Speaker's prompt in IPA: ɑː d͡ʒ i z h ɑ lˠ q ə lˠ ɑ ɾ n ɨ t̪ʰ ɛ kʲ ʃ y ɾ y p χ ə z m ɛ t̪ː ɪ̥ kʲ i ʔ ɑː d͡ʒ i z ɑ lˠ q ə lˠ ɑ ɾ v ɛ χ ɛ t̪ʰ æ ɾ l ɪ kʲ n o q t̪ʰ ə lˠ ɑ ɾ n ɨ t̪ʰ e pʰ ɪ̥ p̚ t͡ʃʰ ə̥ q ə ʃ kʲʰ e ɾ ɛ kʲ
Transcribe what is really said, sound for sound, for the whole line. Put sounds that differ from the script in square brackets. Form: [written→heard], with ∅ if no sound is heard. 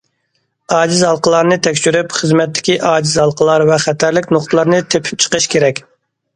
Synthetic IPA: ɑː d͡ʒ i z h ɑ lˠ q ə lˠ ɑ ɾ n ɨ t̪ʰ ɛ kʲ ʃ y ɾ y p χ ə z m ɛ t̪ː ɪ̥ kʲ i ʔ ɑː d͡ʒ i z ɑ lˠ q ə lˠ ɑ ɾ v ɛ χ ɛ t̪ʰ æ ɾ l ɪ kʲ n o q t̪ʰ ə lˠ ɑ ɾ n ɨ t̪ʰ e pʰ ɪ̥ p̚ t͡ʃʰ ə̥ q ə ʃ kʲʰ e ɾ ɛ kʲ